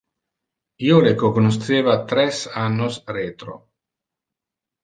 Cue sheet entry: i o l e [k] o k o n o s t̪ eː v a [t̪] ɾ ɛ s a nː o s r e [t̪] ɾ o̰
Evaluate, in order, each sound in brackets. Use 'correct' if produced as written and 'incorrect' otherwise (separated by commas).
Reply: correct, correct, correct